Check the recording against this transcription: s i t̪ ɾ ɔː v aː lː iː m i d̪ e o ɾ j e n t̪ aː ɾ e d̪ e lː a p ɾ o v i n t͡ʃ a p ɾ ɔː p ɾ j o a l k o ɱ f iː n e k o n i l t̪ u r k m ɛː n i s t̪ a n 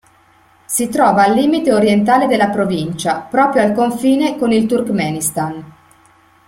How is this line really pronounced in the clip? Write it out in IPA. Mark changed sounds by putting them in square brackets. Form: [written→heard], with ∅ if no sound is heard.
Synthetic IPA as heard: s i t̪ ɾ ɔː v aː lː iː m i [d̪→t̪] e o ɾ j e n t̪ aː [ɾ→l] e d̪ e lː a p ɾ o v i n t͡ʃ a p ɾ ɔː p ɾ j o a l k o ɱ f iː n e k o n i l t̪ u r k m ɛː n i s t̪ a n